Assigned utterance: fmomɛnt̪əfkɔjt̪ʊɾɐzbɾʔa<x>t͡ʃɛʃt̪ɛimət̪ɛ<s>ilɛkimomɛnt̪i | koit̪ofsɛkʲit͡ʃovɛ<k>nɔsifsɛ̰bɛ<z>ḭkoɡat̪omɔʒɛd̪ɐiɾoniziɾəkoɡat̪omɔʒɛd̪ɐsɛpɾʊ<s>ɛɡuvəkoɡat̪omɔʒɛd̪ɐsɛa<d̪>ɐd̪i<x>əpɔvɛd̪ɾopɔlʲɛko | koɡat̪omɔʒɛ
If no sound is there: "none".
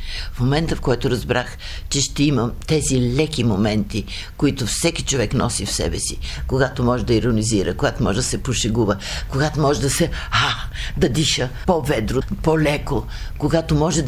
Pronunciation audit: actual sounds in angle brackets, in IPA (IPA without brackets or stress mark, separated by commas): x, z, k, s, ʃ, d̪, ʃ